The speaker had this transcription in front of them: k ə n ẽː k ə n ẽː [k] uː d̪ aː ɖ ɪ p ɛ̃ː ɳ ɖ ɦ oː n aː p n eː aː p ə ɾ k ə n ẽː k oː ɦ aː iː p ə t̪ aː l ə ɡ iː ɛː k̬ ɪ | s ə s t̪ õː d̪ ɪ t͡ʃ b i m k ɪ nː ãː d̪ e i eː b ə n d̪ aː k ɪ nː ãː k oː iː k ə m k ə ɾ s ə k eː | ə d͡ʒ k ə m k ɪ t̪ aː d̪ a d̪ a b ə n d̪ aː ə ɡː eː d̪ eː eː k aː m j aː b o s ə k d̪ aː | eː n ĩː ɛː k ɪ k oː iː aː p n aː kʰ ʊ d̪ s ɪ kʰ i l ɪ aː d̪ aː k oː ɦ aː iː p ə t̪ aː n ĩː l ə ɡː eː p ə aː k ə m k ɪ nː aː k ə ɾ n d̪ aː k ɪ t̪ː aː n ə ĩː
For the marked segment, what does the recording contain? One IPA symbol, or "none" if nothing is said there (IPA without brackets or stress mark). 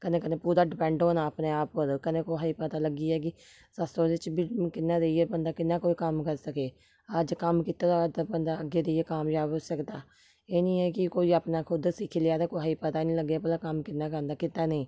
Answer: p